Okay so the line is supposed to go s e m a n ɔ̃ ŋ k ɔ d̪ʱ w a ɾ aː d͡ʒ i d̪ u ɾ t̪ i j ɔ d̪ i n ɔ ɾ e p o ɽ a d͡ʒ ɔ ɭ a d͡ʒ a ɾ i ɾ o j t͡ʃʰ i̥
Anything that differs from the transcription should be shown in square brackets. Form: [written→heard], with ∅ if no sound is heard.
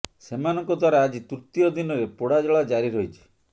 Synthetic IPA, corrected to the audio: s e m a n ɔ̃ ŋ k ɔ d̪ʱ w a ɾ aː d͡ʒ i [d̪→t̪] u ɾ t̪ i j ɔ d̪ i n ɔ ɾ e p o ɽ a d͡ʒ ɔ ɭ a d͡ʒ a ɾ i ɾ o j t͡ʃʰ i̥